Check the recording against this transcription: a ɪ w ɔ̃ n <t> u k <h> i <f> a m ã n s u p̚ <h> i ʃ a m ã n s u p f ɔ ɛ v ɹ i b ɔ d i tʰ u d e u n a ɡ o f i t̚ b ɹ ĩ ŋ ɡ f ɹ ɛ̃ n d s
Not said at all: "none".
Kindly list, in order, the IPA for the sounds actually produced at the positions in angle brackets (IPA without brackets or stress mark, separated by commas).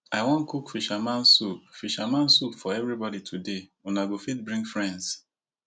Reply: k, f, ʃ, f